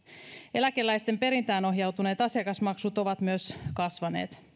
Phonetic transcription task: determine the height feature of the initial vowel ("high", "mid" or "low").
mid